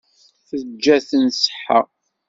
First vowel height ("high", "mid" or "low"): mid